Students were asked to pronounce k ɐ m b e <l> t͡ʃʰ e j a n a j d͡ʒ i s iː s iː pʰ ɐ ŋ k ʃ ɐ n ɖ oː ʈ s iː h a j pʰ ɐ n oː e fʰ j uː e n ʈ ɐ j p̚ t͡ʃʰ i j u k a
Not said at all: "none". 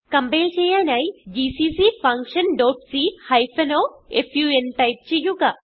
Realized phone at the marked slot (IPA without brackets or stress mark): l